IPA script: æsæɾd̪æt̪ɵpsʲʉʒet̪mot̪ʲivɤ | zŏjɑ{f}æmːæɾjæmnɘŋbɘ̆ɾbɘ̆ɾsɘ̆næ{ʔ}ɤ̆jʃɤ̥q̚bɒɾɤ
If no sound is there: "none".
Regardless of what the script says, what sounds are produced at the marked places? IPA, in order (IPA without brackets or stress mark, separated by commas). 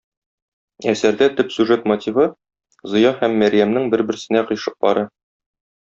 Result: h, q